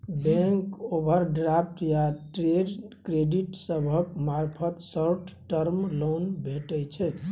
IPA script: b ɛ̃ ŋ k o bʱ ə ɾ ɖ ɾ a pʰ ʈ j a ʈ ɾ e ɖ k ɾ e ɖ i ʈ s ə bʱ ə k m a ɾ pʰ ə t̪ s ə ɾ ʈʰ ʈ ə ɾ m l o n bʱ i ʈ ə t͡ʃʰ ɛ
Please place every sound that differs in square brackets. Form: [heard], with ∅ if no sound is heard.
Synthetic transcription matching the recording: b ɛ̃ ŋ k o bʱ ə ɾ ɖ ɾ a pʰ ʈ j a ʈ ɾ e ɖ k ɾ e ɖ i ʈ s ə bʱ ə k m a ɾ pʰ ə t̪ s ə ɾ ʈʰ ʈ ə ɾ m l o n bʱ [e] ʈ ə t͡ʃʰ ɛ